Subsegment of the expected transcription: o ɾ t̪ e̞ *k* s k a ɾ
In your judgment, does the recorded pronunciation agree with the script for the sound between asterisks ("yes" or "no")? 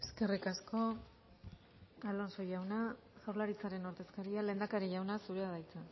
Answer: no